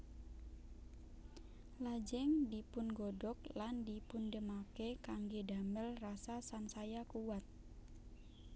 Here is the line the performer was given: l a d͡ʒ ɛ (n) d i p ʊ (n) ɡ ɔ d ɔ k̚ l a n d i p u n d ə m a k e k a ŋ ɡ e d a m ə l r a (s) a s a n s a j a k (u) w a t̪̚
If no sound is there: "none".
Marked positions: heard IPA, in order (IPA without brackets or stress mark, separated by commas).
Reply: ŋ, n, s, u